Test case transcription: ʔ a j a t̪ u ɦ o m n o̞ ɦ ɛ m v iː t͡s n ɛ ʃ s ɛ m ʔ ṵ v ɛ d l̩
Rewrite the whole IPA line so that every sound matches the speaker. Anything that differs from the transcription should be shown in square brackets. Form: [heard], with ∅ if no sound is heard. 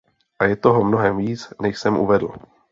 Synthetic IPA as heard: ʔ a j [ɛ] t̪ [o] ɦ o m n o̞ ɦ ɛ m v iː t͡s n ɛ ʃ s ɛ m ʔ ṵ v ɛ d l̩